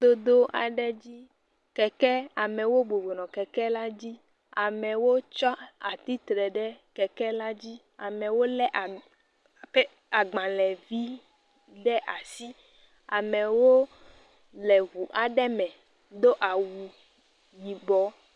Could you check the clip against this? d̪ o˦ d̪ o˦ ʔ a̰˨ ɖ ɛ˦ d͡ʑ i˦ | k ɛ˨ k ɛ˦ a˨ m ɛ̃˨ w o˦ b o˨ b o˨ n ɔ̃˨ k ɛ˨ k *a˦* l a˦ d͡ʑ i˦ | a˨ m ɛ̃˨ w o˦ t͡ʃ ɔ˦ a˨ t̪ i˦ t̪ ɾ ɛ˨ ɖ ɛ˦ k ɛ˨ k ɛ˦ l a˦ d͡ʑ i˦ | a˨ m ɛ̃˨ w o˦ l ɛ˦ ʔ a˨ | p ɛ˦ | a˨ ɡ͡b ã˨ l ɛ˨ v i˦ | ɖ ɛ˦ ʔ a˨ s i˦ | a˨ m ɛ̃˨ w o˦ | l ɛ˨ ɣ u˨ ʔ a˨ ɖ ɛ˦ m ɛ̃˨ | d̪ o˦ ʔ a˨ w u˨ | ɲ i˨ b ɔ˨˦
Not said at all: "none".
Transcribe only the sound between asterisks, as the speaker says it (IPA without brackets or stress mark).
ɛ˦